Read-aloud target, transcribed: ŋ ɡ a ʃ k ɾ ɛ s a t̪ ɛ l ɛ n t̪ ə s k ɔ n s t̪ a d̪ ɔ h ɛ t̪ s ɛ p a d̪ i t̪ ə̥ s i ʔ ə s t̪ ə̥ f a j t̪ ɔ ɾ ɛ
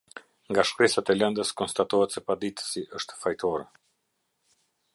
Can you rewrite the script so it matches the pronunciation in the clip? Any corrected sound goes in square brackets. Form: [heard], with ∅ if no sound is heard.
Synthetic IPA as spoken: ŋ ɡ a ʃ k ɾ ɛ s a t̪ ɛ l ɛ n [d̪] ə s k ɔ n s t̪ a [t̪] ɔ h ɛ t̪ s ɛ p a d̪ i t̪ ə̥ s i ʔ ə [ʃ] t̪ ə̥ f a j t̪ ɔ ɾ ɛ

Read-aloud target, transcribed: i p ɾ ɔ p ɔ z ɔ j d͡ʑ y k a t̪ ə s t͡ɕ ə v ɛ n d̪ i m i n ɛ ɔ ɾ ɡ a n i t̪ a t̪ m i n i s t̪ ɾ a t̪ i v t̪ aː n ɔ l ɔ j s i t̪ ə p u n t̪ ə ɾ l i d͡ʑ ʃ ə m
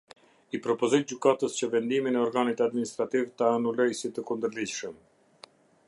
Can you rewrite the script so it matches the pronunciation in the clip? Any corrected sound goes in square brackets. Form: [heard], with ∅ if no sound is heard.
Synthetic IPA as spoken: i p ɾ ɔ p ɔ z ɔ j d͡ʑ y k a t̪ ə s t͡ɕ ə v ɛ n d̪ i m i n ɛ ɔ ɾ ɡ a n i t̪ a [d̪] m i n i s t̪ ɾ a t̪ i v t̪ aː n [u] l ɔ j s i t̪ ə [k] u n [d̪] ə ɾ l i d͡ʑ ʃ ə m

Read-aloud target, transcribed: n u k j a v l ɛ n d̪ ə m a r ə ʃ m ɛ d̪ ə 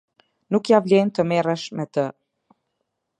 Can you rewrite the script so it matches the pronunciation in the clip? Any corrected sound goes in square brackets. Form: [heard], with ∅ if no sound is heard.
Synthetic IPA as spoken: n u k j a v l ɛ n [t̪] ə m [ɛ] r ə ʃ m ɛ [t̪] ə

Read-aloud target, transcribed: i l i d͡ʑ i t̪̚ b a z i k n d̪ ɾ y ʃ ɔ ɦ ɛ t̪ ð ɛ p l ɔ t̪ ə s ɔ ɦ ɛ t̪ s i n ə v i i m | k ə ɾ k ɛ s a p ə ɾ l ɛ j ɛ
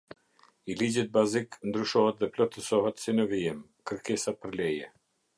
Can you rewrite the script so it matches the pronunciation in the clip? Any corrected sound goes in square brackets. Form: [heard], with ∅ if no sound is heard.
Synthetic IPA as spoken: i l i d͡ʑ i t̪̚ b a z i k n d̪ ɾ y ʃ ɔ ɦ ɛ t̪ ð ɛ p l ɔ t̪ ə s ɔ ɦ ɛ t̪ s i n ə v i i m | k ə ɾ k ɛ s a p ə ɾ l ɛ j ɛ

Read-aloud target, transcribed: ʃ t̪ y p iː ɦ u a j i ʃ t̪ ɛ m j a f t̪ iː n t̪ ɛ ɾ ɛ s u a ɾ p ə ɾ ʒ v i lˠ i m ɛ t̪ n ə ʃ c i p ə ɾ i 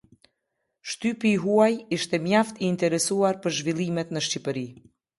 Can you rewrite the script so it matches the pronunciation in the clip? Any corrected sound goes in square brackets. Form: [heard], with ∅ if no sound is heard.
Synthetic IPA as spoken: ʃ t̪ y p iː ɦ u a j i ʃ t̪ ɛ m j a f t̪ iː n t̪ ɛ ɾ ɛ s u a ɾ p ə ɾ ʒ v i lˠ i m ɛ t̪ n ə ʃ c i p ə ɾ i

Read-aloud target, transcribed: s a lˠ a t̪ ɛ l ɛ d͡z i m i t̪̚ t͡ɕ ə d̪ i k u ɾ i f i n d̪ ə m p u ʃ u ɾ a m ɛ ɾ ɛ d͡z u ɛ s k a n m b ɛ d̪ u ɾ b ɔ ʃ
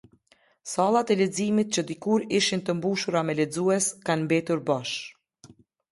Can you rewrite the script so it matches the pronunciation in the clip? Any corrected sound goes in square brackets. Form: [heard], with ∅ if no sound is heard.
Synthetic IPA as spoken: s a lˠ a t̪ ɛ l ɛ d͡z i m i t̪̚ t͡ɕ ə d̪ i k u ɾ i [ʃ] i n [t̪] ə m [b] u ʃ u ɾ a m ɛ [l] ɛ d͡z u ɛ s k a n m b ɛ [t̪] u ɾ b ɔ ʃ

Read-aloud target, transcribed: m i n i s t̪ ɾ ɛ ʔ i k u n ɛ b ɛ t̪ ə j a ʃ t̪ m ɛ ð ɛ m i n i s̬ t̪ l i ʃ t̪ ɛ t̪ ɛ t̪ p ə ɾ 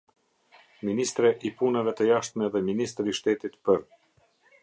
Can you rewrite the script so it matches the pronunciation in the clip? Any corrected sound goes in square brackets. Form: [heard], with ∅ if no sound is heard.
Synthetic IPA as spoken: m i n i s t̪ ɾ ɛ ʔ i [p] u n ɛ [v] ɛ t̪ ə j a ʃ t̪ m ɛ ð ɛ m i n i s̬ t̪ [ɾ] i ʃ t̪ ɛ t̪ [i] t̪ p ə ɾ

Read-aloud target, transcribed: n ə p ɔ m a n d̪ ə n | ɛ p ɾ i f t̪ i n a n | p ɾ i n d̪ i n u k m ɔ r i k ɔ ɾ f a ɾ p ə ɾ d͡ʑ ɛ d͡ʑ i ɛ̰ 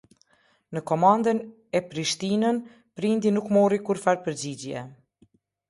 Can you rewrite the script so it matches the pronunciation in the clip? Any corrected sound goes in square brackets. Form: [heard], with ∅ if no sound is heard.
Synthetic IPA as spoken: n ə [k] ɔ m a n d̪ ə n | ɛ p ɾ i [ʃ] t̪ i n [ə] n | p ɾ i n d̪ i n u k m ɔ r i k [u] ɾ f a ɾ p ə ɾ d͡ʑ [i] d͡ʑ [j] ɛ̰

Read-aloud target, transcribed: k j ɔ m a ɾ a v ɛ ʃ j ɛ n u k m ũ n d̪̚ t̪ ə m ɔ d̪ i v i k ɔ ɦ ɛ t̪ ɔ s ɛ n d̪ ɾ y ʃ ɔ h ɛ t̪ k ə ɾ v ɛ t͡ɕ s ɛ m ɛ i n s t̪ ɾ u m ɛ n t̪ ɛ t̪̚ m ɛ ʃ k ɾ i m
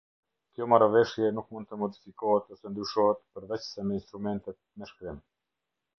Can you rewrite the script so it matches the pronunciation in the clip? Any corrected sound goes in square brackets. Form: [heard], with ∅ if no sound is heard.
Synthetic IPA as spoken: k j ɔ m a ɾ a v ɛ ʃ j ɛ n u k m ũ n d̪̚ t̪ ə m ɔ d̪ i [f] i k ɔ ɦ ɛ t̪ ɔ s ɛ n d̪ ɾ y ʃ ɔ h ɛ t̪ [p] ə ɾ v ɛ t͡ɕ s ɛ m ɛ i n s t̪ ɾ u m ɛ n t̪ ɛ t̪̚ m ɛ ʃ k ɾ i m

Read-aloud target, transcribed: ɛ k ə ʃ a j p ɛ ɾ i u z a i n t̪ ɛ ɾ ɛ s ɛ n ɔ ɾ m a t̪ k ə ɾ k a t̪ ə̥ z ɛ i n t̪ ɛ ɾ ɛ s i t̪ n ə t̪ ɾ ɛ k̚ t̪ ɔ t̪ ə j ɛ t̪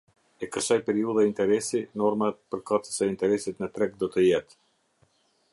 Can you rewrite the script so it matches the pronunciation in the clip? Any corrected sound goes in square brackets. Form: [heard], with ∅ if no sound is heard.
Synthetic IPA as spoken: ɛ k ə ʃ a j p ɛ ɾ i u [ð] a i n t̪ ɛ ɾ ɛ s [i] n ɔ ɾ m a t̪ [p] ə ɾ k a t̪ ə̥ [s] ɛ i n t̪ ɛ ɾ ɛ s i t̪ n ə t̪ ɾ ɛ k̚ [d̪] ɔ t̪ ə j ɛ t̪

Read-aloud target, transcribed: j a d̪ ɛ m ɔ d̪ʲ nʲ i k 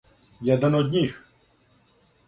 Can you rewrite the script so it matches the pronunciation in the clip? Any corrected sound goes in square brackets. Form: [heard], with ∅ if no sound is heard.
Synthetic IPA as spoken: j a d̪ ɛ [n] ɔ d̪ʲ nʲ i [x]

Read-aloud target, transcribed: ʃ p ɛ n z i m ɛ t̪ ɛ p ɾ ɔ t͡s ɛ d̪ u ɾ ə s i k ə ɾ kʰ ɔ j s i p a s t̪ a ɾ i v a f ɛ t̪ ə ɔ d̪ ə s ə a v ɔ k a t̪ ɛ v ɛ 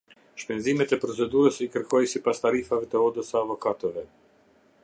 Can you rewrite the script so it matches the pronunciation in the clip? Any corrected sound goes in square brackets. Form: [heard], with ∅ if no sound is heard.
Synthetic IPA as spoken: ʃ p ɛ n z i m ɛ t̪ ɛ p ɾ ɔ t͡s ɛ d̪ u ɾ ə s i k ə ɾ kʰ ɔ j s i p a s t̪ a ɾ i [f] a [v] ɛ t̪ ə ɔ d̪ ə s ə a v ɔ k a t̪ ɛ v ɛ

